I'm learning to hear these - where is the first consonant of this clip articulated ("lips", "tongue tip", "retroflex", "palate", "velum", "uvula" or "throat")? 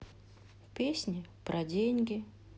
lips